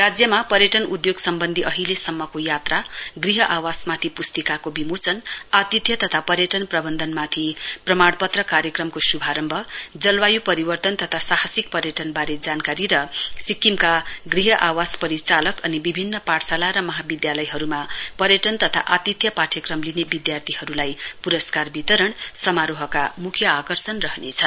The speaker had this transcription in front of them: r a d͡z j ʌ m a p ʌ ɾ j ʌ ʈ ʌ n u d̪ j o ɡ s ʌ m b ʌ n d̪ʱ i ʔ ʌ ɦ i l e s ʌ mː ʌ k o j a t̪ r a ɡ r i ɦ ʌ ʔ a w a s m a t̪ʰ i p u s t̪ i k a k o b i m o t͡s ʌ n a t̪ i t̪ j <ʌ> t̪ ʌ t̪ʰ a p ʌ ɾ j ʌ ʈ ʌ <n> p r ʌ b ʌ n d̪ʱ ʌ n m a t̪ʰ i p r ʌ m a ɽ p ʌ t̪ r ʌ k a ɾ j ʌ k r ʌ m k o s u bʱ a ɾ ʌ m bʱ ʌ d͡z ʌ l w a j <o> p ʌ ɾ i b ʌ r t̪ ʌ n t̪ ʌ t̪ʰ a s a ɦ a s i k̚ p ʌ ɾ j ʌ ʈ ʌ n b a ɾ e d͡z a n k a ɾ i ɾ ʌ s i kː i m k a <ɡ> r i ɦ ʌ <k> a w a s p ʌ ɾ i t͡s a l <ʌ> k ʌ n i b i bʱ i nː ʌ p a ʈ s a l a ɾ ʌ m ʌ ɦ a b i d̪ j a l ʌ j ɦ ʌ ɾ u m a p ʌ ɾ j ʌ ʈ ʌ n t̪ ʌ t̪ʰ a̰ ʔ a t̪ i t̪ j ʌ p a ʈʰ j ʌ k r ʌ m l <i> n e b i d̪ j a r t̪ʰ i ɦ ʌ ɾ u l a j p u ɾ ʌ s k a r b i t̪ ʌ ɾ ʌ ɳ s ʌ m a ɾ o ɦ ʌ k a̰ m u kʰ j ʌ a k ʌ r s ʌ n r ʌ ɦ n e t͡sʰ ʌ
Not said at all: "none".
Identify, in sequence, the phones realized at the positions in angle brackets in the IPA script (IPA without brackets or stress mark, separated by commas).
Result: ʌ, n, u, ɡ, ʔ, ʌ, i